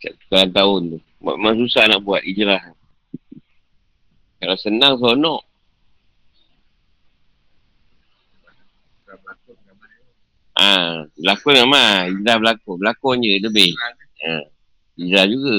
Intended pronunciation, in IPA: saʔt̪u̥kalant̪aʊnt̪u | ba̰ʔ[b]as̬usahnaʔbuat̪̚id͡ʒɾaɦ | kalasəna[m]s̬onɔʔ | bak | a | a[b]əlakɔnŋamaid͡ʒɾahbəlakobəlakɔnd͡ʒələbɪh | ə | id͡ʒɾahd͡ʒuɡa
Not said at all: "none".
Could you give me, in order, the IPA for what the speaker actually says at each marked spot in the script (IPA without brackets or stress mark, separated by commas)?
m, ŋ, b